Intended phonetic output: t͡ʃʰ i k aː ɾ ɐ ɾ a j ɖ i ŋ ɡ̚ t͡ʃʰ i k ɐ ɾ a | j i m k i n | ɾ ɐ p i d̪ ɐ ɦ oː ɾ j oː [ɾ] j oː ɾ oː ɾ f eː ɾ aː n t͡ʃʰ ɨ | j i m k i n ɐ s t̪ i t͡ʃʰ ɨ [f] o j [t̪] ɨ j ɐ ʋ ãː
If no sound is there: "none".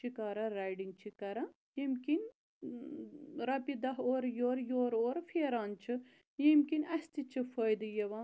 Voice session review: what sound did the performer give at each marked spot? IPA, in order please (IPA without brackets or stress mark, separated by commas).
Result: ɾ, f, d̪